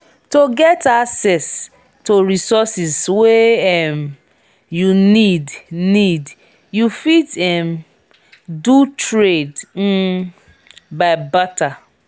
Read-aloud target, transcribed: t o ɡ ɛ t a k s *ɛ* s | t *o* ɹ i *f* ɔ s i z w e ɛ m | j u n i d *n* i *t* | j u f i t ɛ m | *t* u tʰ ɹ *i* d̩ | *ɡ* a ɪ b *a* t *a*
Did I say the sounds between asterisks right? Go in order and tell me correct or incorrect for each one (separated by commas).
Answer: correct, correct, incorrect, correct, incorrect, incorrect, incorrect, incorrect, correct, correct